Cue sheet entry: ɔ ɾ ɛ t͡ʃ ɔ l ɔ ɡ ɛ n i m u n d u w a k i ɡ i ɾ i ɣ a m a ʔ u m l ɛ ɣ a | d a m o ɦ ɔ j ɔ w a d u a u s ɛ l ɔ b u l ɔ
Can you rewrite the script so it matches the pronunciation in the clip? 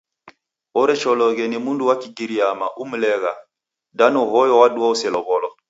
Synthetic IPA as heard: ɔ ɾ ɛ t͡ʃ ɔ l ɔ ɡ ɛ n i m u n d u w a k i ɡ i ɾ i a m a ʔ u m l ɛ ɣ a | d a n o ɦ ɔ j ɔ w a d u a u s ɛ l ɔ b ɔ l ɔ